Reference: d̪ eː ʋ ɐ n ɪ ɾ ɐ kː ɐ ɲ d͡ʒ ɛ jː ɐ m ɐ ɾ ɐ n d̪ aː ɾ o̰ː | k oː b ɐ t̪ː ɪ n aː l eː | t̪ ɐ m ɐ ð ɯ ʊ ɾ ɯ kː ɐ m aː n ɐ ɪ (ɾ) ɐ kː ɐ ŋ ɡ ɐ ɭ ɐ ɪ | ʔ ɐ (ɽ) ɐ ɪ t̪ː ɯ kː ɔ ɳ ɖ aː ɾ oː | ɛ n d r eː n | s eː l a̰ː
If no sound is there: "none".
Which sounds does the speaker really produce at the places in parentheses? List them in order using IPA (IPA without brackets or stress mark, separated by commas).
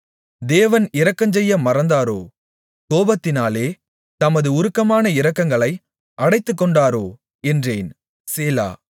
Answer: ɾ, ɽ